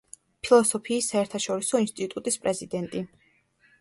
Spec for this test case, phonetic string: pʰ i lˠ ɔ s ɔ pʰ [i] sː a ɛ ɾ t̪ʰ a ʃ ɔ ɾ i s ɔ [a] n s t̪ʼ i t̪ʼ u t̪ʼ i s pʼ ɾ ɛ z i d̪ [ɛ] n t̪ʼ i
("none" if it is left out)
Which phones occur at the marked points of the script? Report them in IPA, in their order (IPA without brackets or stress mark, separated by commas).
iː, i, ɛ